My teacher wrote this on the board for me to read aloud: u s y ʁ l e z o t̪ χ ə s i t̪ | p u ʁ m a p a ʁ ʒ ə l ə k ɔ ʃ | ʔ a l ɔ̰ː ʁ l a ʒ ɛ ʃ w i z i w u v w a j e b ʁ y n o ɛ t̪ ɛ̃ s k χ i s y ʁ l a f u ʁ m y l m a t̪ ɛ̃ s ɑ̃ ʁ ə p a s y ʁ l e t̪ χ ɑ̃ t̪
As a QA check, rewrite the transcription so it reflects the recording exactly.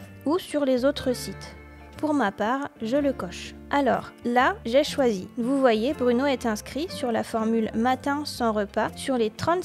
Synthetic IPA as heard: u s y ʁ l e z o t̪ χ ə s i t̪ | p u ʁ m a p a ʁ ʒ ə l ə k ɔ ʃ | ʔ a l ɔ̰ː ʁ l a ʒ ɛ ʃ w a z i v u v w a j e b ʁ y n o ɛ t̪ ɛ̃ s k χ i s y ʁ l a f ɔ ʁ m y l m a t̪ ɛ̃ s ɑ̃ ʁ ə p a s y ʁ l e t̪ χ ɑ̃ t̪